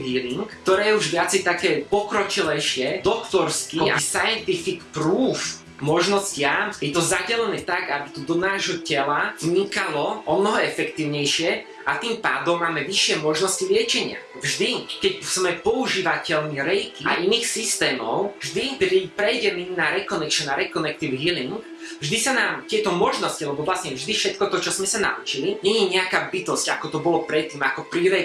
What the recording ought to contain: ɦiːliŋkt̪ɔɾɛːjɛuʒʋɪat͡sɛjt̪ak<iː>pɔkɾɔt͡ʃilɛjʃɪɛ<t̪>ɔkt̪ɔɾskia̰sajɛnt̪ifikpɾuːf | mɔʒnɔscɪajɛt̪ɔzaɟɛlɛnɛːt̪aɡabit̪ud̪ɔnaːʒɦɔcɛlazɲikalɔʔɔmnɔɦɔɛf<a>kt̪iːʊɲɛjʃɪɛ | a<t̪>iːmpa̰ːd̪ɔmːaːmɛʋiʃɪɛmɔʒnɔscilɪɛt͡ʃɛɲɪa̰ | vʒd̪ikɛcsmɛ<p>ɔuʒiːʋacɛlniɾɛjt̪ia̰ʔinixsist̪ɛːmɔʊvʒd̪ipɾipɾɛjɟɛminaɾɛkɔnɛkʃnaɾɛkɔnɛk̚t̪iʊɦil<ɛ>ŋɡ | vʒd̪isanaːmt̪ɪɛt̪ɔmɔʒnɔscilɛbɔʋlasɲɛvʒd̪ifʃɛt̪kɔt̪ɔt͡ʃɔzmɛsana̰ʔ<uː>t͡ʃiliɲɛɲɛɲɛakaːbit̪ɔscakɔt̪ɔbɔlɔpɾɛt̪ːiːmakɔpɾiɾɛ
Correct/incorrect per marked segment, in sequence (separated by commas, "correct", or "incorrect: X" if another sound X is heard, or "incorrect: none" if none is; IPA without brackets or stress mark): incorrect: ɛː, incorrect: d̪, incorrect: ɛ, correct, correct, incorrect: i, incorrect: u